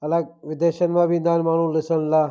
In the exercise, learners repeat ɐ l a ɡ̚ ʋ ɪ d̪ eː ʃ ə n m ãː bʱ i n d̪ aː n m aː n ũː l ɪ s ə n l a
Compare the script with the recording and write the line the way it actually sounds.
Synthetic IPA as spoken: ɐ l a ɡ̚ ʋ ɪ d̪ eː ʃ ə n m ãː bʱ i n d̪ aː n m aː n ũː l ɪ s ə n l a